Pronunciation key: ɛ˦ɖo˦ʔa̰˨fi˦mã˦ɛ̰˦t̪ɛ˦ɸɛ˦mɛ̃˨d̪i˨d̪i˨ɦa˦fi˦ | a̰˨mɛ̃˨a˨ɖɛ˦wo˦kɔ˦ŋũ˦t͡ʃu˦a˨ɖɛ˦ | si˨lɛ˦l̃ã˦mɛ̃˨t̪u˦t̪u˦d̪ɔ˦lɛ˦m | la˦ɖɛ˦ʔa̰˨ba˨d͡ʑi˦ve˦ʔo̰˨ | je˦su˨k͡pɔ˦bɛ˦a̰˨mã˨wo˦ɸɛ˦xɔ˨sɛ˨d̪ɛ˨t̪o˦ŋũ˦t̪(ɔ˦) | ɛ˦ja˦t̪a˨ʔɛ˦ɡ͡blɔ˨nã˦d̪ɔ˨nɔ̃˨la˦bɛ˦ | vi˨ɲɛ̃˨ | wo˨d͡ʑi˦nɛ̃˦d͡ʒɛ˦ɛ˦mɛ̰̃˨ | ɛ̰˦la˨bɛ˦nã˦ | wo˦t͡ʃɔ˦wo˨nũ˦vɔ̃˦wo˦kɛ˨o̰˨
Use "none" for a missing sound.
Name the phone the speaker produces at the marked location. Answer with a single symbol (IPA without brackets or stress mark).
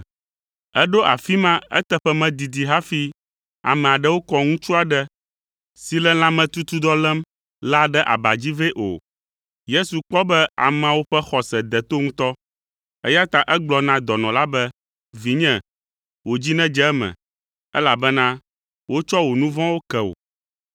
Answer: ɔ˦